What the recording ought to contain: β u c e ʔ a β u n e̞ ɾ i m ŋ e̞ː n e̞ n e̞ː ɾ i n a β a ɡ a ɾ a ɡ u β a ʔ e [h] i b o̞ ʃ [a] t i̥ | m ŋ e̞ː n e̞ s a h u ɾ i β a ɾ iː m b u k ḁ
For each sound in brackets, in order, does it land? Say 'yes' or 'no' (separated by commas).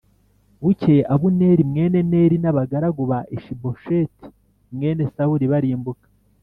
no, no